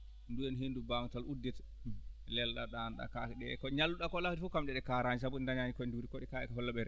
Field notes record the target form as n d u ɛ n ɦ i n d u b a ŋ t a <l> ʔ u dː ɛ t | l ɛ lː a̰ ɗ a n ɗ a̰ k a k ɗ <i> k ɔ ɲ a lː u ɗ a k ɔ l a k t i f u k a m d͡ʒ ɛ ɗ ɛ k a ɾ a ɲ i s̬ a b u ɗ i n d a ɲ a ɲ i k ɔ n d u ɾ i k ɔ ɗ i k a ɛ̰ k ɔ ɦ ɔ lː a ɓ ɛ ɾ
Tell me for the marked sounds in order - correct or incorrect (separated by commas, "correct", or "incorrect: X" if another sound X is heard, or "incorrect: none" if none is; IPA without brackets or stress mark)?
correct, incorrect: ɛ